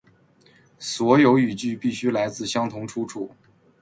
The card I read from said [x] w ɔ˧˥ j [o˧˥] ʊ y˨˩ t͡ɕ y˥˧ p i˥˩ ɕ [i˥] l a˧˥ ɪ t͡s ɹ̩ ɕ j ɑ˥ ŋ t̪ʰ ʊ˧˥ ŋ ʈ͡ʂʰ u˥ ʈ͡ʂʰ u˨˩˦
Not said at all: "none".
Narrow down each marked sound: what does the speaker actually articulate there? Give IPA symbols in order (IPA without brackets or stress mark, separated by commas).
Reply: s, o˧˥, y˥